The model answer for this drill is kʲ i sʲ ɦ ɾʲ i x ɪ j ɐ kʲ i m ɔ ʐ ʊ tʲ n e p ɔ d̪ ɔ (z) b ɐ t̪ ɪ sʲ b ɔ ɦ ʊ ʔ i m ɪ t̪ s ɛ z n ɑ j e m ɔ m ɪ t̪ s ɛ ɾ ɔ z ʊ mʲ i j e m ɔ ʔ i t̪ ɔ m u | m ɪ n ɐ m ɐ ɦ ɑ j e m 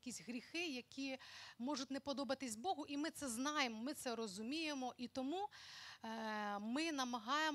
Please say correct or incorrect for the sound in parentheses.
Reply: incorrect